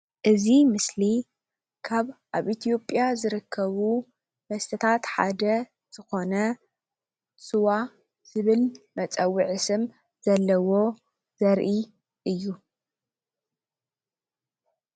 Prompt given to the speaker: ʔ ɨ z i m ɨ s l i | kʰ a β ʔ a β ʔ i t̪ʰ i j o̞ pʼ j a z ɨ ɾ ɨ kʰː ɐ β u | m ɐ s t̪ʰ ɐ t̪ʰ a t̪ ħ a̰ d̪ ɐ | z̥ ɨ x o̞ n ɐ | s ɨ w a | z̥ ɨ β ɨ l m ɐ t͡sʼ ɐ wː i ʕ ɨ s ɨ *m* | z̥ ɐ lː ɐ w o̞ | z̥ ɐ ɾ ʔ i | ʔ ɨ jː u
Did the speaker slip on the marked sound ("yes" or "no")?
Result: no